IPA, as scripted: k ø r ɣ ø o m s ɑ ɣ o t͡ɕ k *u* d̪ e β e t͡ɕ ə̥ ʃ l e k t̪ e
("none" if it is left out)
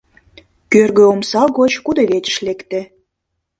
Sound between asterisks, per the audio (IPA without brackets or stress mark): u